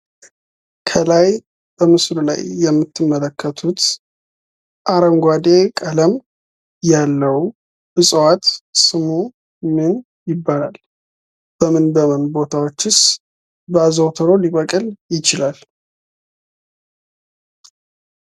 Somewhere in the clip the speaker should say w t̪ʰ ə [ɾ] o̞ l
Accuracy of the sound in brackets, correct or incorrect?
correct